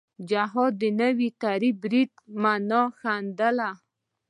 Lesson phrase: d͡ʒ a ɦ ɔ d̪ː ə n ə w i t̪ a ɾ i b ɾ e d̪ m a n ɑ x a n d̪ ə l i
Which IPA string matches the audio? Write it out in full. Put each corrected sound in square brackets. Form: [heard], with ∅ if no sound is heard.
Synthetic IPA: d͡ʒ a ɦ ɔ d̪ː ə n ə w i t̪ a ɾ i b ɾ [i] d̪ m a n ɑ x a n d̪ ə l [a]